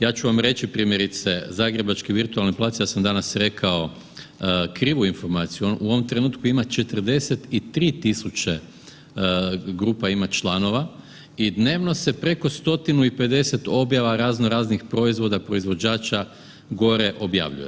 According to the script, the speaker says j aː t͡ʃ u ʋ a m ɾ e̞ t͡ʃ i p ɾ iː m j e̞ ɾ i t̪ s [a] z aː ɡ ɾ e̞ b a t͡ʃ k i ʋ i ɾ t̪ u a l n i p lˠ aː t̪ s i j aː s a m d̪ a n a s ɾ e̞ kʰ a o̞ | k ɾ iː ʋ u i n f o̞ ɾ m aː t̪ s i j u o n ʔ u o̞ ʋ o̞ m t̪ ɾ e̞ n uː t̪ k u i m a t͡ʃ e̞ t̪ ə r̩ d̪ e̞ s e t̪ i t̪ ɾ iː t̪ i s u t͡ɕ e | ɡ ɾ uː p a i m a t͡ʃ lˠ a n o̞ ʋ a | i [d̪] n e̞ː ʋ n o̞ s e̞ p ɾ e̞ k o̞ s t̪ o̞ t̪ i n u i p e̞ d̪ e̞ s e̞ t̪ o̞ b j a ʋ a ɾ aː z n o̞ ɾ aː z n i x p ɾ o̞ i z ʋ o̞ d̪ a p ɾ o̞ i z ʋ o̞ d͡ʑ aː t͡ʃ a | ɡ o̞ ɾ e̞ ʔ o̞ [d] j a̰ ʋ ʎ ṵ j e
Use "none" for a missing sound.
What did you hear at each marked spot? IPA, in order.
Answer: e, d̪, b

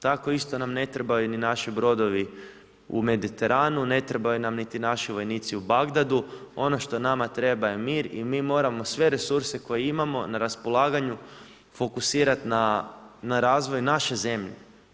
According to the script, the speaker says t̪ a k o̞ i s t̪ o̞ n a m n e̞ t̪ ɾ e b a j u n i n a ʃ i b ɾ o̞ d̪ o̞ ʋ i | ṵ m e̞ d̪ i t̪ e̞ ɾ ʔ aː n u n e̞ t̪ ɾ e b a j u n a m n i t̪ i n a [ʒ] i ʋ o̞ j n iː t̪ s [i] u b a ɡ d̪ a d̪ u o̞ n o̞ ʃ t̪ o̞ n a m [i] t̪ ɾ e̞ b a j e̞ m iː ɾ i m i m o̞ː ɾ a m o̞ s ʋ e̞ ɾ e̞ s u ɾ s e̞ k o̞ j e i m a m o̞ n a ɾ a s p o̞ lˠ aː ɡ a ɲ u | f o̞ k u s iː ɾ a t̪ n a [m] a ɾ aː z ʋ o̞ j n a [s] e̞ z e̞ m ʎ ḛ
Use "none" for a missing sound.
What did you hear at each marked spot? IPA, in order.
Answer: ʃ, i, a, n, ʃ

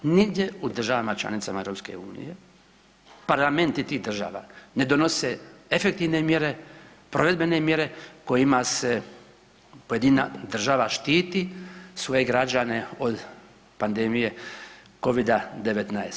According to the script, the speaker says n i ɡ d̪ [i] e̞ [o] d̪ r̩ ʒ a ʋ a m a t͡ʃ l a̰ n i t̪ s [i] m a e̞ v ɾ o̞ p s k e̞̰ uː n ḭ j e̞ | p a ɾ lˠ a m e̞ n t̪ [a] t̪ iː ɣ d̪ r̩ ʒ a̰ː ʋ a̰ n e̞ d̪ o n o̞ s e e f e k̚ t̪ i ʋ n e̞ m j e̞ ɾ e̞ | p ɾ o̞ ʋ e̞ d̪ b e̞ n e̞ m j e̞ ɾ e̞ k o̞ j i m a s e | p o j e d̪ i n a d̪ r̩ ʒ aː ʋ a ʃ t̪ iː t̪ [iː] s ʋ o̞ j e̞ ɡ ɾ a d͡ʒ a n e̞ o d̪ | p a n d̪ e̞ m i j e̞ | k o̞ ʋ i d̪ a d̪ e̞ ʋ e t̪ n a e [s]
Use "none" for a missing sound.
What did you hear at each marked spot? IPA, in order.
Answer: j, u, a, i, i, s

